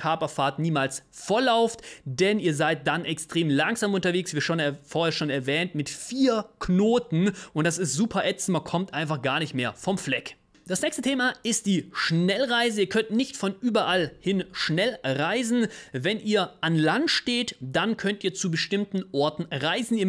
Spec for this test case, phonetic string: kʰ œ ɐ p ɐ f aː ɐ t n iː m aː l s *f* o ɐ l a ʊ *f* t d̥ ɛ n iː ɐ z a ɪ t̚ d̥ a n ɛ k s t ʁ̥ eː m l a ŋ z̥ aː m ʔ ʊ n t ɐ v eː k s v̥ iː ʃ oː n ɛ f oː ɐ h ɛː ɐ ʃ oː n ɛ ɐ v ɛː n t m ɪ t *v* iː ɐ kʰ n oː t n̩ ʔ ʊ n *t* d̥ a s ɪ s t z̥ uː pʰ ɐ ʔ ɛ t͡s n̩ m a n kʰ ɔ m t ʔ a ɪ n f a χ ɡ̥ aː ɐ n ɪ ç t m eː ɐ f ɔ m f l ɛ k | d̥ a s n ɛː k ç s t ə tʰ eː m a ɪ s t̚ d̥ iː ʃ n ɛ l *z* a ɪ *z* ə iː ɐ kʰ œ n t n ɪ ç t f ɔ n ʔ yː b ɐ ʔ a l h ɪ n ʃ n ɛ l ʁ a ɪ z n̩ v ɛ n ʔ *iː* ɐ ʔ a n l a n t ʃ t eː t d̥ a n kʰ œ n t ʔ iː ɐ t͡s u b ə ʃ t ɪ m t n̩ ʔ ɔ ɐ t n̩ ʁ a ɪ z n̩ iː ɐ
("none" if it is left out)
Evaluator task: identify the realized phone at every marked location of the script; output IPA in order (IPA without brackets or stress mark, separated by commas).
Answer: f, f, f, t, ʁ, z, iː